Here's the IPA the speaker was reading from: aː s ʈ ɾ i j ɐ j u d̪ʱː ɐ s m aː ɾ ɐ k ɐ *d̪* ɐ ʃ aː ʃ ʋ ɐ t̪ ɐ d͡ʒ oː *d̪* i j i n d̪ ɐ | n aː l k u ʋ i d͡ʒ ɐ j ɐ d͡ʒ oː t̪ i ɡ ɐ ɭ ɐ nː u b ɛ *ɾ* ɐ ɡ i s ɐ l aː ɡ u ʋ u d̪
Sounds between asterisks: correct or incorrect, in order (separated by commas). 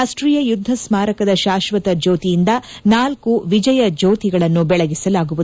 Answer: correct, incorrect, incorrect